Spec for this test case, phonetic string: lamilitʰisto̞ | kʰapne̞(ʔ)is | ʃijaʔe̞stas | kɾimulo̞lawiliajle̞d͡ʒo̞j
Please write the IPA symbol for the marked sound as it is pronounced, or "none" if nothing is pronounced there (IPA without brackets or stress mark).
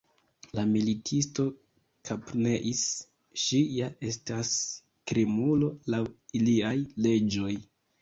ʔ